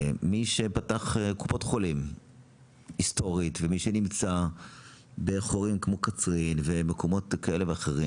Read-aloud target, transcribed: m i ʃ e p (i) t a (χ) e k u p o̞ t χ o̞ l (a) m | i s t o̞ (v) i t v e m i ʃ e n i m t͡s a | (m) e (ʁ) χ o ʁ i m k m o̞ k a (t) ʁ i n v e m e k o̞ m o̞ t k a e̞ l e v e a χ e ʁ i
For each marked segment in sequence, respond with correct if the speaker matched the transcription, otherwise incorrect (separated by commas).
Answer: incorrect, correct, incorrect, incorrect, incorrect, incorrect, incorrect